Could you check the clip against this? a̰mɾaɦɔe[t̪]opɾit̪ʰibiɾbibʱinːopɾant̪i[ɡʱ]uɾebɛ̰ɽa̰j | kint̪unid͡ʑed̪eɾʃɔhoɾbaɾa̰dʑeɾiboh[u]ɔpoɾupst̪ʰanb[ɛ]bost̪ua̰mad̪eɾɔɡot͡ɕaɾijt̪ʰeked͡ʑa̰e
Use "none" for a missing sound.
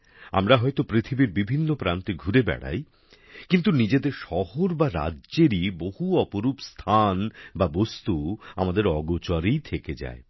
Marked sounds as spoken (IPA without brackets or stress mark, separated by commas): t̪, ɡʱ, u, a